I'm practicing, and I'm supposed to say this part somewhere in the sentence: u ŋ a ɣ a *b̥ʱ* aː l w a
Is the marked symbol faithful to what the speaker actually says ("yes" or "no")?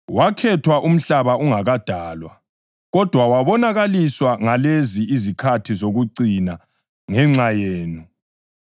no